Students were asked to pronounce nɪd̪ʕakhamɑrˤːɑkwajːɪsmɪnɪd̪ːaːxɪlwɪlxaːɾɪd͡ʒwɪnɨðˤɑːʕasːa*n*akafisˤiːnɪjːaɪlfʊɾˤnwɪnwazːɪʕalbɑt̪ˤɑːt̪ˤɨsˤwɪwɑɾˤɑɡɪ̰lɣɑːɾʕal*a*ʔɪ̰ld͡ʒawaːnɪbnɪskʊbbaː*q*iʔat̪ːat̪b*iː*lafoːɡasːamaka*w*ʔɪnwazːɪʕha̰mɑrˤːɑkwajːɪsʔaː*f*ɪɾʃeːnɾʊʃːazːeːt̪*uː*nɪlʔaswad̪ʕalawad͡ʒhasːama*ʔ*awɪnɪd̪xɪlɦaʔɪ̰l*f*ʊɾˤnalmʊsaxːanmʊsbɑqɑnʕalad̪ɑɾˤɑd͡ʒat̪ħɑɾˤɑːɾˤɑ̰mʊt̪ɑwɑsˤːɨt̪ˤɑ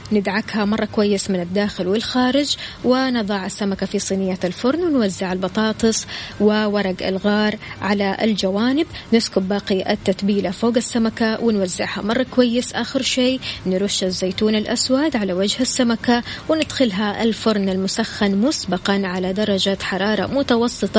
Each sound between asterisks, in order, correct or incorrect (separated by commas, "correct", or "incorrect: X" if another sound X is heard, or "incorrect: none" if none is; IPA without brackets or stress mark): incorrect: m, correct, correct, correct, correct, incorrect: x, correct, incorrect: k, correct